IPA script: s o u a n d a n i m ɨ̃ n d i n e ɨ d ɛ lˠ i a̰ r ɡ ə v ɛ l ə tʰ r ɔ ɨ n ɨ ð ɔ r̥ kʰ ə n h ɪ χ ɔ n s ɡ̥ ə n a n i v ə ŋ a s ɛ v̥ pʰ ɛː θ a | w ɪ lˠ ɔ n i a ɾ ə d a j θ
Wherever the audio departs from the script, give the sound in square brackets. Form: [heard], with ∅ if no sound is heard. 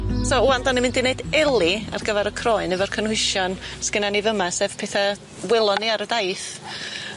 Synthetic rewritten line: s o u a n d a n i m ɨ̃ n d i n e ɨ d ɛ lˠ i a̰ r ɡ ə v ɛ [ɾ] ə [kʰ] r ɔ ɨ n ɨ [v] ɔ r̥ kʰ ə n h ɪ [ʃ] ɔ n s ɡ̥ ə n a n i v ə [m] a s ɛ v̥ pʰ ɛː θ a | w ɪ lˠ ɔ n i a ɾ ə d a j θ